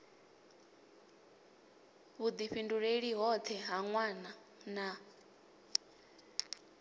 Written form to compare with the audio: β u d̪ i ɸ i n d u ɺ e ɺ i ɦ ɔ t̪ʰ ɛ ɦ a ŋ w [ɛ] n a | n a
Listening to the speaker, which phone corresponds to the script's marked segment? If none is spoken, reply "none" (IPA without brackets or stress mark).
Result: a